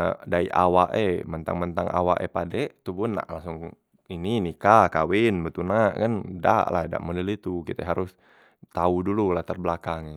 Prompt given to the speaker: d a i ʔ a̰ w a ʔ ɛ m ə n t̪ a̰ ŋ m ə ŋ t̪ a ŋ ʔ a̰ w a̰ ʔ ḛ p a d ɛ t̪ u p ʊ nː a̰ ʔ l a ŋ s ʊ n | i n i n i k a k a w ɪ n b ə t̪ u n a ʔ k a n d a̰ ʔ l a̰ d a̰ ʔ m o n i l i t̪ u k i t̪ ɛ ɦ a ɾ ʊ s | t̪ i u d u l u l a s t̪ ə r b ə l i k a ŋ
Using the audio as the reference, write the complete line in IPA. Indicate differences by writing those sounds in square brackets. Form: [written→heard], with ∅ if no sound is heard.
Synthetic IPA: d a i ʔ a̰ w a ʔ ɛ m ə n t̪ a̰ ŋ m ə [ŋ→n] t̪ a ŋ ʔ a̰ w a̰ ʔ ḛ p a d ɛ t̪ u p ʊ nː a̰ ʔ l a ŋ s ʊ [n→ŋ] | i n i n i k a k a w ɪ n b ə t̪ u n a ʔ k a n d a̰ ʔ l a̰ d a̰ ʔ m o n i l i t̪ u k i t̪ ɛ ɦ a ɾ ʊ s | t̪ [i→a] u d u l u l a [s→h] t̪ ə r b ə l [i→a] k a ŋ

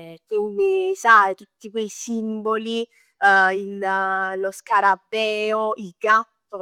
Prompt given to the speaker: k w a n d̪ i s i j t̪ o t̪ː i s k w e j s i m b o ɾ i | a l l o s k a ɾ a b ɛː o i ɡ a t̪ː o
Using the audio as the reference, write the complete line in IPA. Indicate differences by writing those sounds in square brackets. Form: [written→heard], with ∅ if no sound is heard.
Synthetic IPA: k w [a→i] n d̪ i s [i→a] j t̪ [o→u] t̪ː i [s→∅] k w e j s i m b o [ɾ→l] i | [a→i] l l o s k a ɾ a b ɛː o i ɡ a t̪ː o

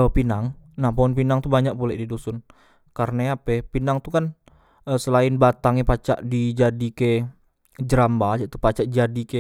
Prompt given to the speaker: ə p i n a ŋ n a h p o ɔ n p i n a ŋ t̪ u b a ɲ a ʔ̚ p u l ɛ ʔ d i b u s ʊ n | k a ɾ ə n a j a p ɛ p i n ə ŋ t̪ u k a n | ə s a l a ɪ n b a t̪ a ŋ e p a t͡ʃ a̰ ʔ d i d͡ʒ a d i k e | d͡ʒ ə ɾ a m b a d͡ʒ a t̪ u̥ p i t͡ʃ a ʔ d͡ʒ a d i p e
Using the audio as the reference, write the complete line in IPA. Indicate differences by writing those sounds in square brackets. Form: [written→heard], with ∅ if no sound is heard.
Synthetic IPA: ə p i n a ŋ n a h p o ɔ n p i n a ŋ t̪ u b a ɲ a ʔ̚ p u l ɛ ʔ d i [b→d] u s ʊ n | k a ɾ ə n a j a p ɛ p i n [ə→a] ŋ t̪ u k a n | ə s [a→ə] l a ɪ n b a t̪ a ŋ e p a t͡ʃ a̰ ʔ d i d͡ʒ a d i k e | d͡ʒ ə ɾ a m b a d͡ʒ a t̪ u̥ p [i→a] t͡ʃ a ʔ d͡ʒ a d i [p→k] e

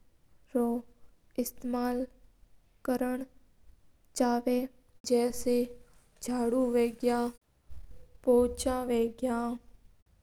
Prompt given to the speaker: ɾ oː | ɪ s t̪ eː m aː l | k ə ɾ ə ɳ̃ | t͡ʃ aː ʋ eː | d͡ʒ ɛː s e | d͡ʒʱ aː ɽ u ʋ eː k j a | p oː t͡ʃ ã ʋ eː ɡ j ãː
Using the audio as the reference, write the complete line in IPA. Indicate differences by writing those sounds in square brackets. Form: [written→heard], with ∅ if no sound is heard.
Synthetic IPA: ɾ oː | ɪ s t̪ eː m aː l | k ə ɾ ə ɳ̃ | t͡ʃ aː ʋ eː | d͡ʒ ɛː s e | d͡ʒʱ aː ɽ u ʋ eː [k→ɡ] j a | p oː t͡ʃ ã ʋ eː ɡ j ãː

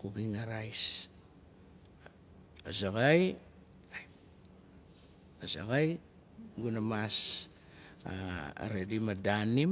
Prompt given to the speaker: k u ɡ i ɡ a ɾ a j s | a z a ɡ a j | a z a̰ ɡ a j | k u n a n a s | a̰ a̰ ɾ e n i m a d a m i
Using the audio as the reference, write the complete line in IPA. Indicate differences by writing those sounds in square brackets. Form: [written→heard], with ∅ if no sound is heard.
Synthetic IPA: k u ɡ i [ɡ→ŋ] a ɾ a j s | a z a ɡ a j | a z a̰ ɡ a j | [k→ɡ] u n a [n→m] a s | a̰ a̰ ɾ e [n→d] i m a d a [m→n] i

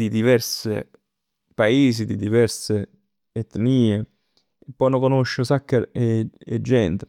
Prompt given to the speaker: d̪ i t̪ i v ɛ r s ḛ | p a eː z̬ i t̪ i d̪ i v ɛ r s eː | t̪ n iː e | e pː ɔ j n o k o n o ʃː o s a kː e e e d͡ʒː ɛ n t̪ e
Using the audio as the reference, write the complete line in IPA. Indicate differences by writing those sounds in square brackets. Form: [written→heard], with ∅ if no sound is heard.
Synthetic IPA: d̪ i [t̪→d̪] i v ɛ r s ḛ | p a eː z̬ i [t̪→d̪] i d̪ i v ɛ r s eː | t̪ n iː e | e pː ɔ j n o k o n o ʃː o s a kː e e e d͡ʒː ɛ n t̪ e

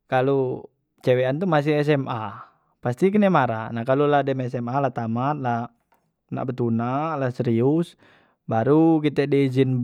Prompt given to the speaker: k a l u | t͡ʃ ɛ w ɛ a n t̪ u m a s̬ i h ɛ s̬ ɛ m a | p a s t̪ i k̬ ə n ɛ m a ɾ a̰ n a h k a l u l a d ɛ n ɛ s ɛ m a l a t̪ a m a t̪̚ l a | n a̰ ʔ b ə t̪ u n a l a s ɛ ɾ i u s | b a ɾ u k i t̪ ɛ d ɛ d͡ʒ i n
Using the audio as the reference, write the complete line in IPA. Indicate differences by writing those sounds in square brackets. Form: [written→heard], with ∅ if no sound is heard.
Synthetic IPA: k a l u | t͡ʃ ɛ w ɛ a n t̪ u m a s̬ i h ɛ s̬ ɛ m a | p a s t̪ i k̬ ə n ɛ m a ɾ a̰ n a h k a l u l a d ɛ [n→m] ɛ s ɛ m a l a t̪ a m a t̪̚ l a | n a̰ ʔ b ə t̪ u n a l a s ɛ ɾ i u s | b a ɾ u k i t̪ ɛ d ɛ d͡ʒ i n

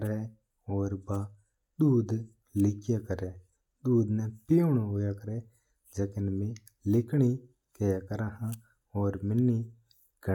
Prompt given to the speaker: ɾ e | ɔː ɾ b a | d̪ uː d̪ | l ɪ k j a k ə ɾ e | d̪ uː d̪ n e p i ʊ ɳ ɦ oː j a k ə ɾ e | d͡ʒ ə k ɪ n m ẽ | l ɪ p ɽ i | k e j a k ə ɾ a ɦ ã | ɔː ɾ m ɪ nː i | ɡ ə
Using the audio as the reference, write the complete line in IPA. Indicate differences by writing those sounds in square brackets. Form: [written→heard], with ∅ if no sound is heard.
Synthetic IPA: ɾ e | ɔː ɾ b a | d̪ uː d̪ | l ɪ k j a k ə ɾ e | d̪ uː d̪ n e p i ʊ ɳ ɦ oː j a k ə ɾ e | d͡ʒ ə k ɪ n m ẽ | l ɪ [p→k] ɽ i | k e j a k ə ɾ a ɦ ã | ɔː ɾ m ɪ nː i | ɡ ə

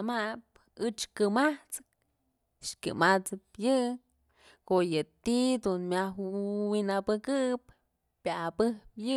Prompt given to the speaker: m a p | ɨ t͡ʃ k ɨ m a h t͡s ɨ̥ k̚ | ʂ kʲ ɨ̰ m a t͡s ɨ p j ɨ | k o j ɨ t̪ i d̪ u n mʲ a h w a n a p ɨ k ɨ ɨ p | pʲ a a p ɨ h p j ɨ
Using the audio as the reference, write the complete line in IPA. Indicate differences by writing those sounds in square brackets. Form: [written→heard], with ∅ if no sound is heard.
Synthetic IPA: m a p | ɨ t͡ʃ k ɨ m a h t͡s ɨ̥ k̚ | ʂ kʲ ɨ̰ m a t͡s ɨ p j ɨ | k o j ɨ t̪ i d̪ u n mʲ a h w [a→i] n a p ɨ k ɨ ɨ p | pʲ a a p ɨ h p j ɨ

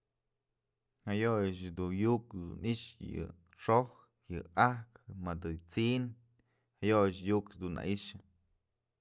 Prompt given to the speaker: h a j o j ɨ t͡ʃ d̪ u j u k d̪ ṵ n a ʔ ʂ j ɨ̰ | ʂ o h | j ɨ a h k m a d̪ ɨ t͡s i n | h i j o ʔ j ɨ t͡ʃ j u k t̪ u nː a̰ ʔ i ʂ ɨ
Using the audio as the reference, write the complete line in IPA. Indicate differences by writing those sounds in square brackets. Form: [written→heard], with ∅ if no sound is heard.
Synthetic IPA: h a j o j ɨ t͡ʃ d̪ u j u k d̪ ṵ n [a→i] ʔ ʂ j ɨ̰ | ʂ o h | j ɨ a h k m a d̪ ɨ t͡s i n | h [i→a] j o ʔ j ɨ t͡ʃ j u k [t̪→d̪] u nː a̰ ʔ i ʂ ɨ

